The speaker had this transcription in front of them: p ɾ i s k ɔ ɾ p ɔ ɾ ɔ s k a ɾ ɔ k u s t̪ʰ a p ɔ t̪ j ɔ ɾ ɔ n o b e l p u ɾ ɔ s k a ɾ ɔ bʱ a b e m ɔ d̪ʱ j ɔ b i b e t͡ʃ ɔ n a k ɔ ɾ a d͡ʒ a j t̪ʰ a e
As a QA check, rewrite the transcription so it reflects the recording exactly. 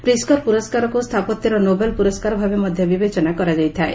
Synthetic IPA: p ɾ i s k ɔ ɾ p u ɾ ɔ s k a ɾ ɔ k u s t̪ʰ a p ɔ t̪ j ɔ ɾ ɔ n o b e l p u ɾ ɔ s k a ɾ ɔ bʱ a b e m ɔ d̪ʱ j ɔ b i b e t͡ʃ ɔ n a k ɔ ɾ a d͡ʒ a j t̪ʰ a e